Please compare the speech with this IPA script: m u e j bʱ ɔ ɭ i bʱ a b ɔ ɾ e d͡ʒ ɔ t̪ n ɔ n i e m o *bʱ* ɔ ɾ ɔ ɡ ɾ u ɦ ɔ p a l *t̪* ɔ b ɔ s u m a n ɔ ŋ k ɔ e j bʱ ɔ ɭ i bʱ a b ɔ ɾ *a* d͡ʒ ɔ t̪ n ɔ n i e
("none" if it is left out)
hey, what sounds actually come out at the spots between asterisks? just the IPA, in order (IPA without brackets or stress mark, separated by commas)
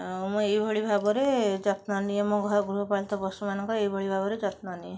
ɡʱ, t̪, e